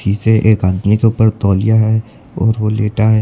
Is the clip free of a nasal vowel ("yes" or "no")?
yes